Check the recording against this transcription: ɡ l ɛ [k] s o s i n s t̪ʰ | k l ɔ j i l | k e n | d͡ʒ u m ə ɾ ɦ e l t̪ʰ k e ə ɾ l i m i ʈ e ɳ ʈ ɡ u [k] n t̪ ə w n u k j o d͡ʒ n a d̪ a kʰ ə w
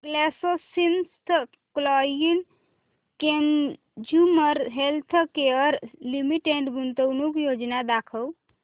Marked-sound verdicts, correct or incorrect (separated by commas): incorrect, incorrect